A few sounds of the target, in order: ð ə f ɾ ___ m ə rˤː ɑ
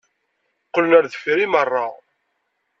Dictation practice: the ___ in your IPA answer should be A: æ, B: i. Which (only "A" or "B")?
B